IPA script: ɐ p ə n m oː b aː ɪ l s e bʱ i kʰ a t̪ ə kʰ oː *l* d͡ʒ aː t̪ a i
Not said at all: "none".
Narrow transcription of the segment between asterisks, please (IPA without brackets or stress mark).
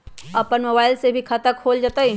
l